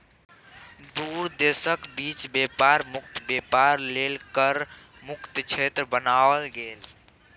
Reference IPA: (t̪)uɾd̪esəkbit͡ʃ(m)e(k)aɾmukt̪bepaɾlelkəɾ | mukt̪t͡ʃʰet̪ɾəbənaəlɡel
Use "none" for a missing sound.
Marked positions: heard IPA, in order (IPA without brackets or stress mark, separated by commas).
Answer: d̪, b, p